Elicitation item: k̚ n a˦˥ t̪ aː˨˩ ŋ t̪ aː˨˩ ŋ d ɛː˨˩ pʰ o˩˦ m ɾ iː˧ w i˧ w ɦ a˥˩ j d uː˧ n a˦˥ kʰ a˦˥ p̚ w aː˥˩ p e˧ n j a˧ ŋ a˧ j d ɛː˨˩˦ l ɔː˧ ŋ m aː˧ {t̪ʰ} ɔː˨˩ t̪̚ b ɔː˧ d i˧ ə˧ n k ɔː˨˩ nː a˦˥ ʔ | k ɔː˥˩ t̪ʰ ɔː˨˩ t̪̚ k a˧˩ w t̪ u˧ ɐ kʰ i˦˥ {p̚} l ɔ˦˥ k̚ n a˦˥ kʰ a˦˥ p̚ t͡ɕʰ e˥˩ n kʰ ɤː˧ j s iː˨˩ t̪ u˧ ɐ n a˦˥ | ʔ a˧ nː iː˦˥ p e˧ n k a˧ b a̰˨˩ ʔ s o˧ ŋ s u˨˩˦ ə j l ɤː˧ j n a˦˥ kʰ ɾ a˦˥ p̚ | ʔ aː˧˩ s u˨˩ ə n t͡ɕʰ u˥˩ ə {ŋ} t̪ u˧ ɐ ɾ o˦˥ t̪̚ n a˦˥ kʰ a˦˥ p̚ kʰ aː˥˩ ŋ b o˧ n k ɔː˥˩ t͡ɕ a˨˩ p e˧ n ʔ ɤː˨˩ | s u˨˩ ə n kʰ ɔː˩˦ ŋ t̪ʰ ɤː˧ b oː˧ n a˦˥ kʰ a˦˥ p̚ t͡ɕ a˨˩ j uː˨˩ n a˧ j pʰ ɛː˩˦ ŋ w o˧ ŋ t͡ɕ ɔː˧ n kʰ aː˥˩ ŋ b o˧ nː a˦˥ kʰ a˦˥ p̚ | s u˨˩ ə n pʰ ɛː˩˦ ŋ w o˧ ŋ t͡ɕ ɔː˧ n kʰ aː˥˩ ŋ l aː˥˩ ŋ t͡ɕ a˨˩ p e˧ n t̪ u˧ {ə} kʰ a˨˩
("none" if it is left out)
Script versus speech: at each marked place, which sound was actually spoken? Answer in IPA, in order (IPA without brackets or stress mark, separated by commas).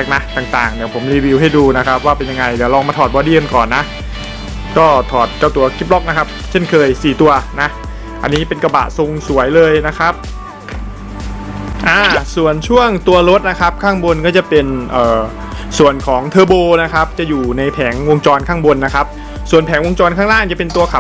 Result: t̪ʰ, p̚, ŋ, ɐ